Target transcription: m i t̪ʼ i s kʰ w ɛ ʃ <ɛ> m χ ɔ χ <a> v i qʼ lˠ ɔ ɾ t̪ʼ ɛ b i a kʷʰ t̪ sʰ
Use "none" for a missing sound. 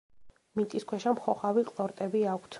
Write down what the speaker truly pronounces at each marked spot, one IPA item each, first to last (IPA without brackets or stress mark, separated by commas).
a, a